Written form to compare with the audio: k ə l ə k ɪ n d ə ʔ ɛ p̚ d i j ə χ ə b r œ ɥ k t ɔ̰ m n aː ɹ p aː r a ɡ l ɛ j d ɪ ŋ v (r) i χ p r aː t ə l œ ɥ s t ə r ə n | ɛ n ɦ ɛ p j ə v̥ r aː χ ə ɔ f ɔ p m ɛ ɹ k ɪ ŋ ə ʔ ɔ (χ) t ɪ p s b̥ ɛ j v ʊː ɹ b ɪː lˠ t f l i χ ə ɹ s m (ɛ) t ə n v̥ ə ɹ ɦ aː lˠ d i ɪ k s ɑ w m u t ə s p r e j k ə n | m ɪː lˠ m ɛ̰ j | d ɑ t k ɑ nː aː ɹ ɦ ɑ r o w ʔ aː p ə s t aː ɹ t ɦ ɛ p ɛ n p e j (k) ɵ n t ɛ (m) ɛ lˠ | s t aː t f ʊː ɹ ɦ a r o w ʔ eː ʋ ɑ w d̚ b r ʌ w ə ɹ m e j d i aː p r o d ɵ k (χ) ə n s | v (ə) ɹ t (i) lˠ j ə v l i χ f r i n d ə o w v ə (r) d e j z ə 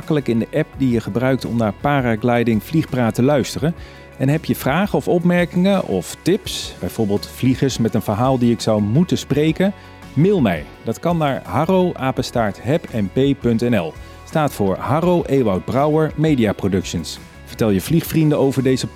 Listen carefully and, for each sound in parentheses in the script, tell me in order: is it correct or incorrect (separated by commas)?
incorrect, incorrect, correct, incorrect, incorrect, incorrect, correct, incorrect, incorrect